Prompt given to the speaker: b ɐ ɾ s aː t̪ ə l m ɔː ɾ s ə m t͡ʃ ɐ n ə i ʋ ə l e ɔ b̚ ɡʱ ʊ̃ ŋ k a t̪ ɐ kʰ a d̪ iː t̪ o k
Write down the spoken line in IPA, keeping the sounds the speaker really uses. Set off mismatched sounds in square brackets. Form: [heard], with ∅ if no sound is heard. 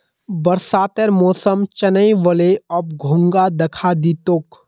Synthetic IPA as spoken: b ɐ ɾ s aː t̪ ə [ɾ] m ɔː [∅] s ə m t͡ʃ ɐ n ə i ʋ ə l e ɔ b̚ ɡʱ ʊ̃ ŋ [ɡ] a [d̪] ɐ kʰ a d̪ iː t̪ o k